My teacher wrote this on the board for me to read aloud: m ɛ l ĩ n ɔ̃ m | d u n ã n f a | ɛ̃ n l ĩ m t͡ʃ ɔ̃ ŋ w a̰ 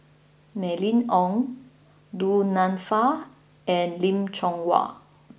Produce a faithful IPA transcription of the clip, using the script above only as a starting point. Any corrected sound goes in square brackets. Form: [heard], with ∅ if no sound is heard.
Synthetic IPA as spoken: m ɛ l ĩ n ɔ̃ [ŋ] | d u n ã n f a | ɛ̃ n l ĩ m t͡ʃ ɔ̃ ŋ w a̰